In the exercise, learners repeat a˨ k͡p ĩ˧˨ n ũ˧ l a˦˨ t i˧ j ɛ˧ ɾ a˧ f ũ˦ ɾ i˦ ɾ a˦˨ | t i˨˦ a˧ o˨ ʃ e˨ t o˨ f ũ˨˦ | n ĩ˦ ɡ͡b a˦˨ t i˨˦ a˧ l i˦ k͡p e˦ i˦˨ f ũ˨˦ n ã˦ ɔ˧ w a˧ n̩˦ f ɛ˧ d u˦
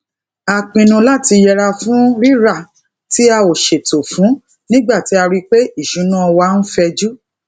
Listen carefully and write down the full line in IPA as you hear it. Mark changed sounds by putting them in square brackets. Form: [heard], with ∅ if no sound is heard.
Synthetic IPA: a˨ k͡p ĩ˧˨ n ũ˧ l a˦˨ t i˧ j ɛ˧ ɾ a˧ f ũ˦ ɾ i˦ ɾ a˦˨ | t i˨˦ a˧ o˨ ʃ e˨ t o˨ f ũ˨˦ | n ĩ˦ ɡ͡b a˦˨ t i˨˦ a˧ [ɾ] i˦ k͡p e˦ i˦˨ [ʃ] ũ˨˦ n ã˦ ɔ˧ w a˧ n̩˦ f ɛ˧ [d͡ʒ] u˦